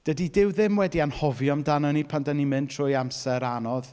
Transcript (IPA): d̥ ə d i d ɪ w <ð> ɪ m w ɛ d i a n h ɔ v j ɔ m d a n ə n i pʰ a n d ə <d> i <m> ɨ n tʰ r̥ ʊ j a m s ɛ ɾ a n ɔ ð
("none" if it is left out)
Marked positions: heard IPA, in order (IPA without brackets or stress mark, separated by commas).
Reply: ð, n, m